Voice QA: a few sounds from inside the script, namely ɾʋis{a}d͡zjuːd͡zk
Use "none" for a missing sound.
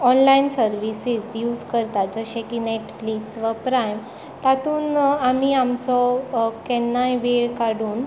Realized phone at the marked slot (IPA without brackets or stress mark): i